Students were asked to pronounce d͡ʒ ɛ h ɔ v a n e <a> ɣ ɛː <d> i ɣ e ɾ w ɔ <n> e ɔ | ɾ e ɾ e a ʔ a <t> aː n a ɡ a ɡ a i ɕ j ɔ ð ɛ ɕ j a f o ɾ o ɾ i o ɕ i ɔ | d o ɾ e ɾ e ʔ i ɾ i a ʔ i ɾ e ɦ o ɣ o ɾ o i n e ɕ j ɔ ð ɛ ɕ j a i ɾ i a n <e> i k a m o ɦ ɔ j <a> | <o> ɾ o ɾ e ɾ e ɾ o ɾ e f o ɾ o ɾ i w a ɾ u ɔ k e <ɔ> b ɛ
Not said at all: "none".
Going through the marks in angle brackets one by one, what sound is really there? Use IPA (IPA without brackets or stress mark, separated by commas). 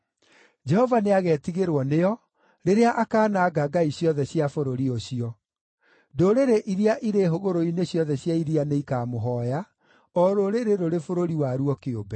a, t, n, k, e, a, ɔ, o